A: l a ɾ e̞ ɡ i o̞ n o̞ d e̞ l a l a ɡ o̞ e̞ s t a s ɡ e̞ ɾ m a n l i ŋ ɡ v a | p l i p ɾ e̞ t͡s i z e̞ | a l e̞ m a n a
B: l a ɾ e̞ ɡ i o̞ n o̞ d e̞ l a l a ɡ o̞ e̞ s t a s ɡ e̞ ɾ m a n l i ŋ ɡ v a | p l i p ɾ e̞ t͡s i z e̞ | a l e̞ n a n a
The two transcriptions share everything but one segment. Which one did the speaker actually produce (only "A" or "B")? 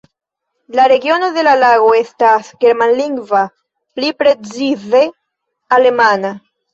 A